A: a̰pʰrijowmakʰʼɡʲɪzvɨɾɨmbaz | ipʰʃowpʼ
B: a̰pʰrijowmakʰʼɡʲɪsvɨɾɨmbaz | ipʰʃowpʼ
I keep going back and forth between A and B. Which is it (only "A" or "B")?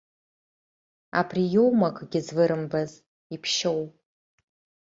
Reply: A